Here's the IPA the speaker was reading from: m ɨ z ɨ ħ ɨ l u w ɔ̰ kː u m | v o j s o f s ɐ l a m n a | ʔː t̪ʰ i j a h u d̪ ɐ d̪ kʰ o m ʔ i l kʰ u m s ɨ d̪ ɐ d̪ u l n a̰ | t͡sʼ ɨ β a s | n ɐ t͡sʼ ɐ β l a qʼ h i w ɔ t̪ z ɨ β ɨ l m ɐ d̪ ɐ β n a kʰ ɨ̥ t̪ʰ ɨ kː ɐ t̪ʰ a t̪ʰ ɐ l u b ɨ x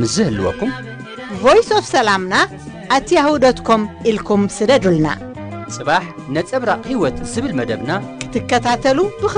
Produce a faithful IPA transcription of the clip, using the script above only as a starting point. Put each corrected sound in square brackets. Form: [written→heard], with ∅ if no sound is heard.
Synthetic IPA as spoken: m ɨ z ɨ [ħ→h] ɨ l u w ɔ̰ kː u m | v o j s o f s ɐ l a m n a | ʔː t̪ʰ i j a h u d̪ ɐ [d̪→t̪] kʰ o m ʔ i l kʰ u m s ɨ d̪ ɐ d̪ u l n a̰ | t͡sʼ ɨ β a [s→ħ] | n ɐ t͡sʼ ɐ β [l→ɾ] a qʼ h i w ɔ t̪ z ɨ β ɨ l m ɐ d̪ ɐ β n a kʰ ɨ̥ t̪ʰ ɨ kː ɐ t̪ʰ a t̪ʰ ɐ l u b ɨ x

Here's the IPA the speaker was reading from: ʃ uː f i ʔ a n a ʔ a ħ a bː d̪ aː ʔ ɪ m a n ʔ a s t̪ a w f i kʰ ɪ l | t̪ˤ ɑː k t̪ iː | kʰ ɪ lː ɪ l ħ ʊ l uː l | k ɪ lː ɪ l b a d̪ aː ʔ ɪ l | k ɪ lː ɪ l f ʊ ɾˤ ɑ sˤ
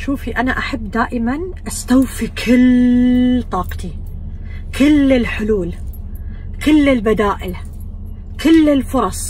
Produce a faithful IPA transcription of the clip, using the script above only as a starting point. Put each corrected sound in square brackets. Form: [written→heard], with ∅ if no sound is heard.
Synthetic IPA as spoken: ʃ uː f i ʔ a n a ʔ a ħ a bː d̪ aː ʔ ɪ m a n ʔ a s t̪ a w f i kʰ ɪ l | t̪ˤ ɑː [k→q] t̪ [iː→i] | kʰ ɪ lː ɪ l ħ ʊ l uː l | k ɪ lː ɪ l b a d̪ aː ʔ ɪ l | k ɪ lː ɪ l f ʊ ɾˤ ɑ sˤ

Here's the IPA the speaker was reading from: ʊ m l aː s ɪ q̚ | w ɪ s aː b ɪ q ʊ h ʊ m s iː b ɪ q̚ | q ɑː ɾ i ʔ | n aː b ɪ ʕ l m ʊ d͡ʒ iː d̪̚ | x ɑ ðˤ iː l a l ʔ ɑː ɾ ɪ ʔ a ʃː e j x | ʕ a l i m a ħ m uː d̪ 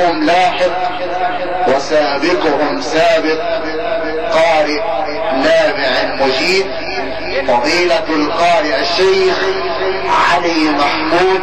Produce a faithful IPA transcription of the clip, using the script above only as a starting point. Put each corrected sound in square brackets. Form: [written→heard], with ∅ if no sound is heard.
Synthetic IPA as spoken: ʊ m l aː [s→ħ] ɪ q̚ | w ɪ s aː b ɪ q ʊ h ʊ m s [iː→aː] b ɪ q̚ | q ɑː ɾ [i→ɪ] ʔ | n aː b ɪ ʕ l m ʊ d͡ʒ iː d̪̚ | [x→f] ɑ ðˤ iː l a l [ʔ→q] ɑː ɾ ɪ ʔ a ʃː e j x | ʕ a l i m a ħ m uː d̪

